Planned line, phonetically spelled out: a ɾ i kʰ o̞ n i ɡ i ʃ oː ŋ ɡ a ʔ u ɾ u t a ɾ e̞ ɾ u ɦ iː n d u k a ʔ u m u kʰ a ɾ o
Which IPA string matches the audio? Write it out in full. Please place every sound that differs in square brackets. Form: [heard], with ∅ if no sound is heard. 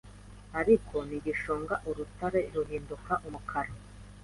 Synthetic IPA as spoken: a ɾ i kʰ o̞ n i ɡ i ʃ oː ŋ ɡ a ʔ u ɾ u t a ɾ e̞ ɾ u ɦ iː n d u k a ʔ u m u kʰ a ɾ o